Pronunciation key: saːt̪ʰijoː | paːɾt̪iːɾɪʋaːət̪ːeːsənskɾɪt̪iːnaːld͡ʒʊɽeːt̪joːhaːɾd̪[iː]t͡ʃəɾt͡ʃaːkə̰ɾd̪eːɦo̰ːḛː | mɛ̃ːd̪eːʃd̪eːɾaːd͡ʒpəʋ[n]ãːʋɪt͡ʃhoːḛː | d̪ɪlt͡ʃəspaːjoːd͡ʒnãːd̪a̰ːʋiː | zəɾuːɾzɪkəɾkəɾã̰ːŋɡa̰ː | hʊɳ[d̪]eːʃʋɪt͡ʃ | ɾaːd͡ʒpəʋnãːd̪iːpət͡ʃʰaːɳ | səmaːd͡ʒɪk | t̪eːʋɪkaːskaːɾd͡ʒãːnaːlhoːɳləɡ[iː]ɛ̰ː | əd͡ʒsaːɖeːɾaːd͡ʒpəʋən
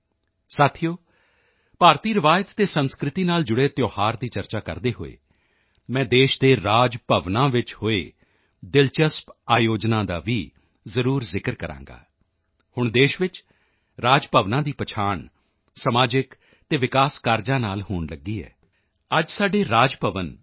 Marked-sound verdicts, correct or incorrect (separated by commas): correct, correct, correct, correct